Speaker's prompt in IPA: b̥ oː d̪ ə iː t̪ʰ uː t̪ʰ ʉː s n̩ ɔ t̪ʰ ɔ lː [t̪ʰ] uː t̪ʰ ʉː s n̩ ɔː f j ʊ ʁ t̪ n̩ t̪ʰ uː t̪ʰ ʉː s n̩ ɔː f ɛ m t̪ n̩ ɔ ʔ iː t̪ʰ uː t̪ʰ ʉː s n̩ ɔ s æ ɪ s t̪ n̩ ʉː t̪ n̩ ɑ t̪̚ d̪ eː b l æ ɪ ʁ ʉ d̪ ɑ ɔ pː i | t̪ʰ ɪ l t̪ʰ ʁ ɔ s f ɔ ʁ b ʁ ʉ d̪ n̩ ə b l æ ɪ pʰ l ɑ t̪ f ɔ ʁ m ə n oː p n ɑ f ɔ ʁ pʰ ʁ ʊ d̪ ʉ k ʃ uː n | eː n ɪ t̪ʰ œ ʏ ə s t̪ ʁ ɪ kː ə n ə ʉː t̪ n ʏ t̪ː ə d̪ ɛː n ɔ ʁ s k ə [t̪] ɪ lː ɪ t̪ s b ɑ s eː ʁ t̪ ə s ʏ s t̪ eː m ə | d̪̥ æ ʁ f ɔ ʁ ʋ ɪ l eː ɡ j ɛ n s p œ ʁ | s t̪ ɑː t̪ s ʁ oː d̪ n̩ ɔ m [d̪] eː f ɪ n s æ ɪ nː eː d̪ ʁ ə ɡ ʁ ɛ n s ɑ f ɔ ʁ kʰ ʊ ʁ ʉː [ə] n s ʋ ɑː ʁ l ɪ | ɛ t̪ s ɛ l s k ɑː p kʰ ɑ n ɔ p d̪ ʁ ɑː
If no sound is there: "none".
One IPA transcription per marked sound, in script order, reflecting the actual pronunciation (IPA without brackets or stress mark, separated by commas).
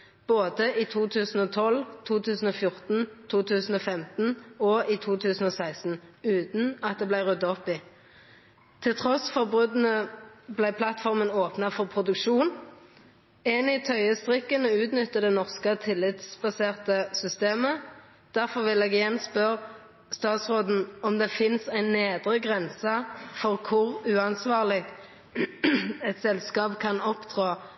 t̪ʰ, t̪ʰ, d̪, ɑ